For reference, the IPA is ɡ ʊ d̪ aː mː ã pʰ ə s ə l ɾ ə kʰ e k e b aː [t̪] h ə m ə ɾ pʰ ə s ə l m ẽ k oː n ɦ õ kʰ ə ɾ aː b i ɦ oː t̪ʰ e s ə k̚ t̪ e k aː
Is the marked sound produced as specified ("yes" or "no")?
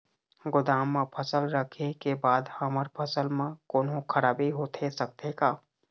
no